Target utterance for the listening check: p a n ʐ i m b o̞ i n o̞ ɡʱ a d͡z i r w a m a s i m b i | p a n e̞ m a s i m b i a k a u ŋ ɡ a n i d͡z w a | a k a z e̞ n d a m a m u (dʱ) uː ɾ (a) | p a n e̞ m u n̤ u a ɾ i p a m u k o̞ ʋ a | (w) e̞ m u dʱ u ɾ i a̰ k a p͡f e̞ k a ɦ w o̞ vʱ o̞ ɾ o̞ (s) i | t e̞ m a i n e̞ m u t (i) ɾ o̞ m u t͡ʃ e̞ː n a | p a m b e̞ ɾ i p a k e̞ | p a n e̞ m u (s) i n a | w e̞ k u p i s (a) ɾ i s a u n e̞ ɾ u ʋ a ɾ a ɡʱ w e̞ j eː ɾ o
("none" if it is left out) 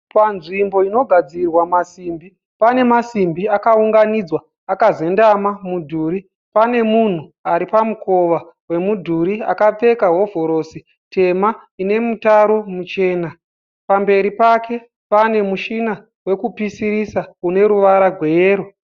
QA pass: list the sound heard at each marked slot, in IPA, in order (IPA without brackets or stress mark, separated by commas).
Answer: dʱ, i, w, s, a, ʃ, i